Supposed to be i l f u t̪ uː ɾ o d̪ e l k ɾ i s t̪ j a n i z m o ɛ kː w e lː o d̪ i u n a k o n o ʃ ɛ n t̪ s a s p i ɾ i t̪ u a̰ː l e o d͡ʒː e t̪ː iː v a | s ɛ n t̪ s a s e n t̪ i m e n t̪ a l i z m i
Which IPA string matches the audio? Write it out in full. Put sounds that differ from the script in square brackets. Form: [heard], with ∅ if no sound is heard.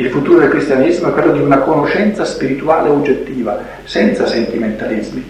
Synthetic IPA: i l f u t̪ uː ɾ o d̪ e l k ɾ i s t̪ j a n i z m o ɛ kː w e lː o d̪ i u n a k o n o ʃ ɛ n t̪ s a s p i ɾ i t̪ u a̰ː l e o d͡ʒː e t̪ː iː v a | s ɛ n t̪ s a s e n t̪ i m e n t̪ a l i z m i